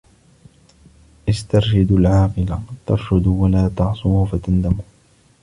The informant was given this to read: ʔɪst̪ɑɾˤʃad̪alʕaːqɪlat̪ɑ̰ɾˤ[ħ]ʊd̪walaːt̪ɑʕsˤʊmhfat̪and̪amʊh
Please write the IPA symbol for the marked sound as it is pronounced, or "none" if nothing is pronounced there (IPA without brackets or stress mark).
ʃ